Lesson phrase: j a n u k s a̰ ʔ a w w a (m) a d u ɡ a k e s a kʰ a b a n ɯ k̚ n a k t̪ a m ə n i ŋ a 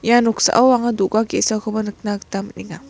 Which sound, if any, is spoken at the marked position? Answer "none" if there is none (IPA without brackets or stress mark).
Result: ŋ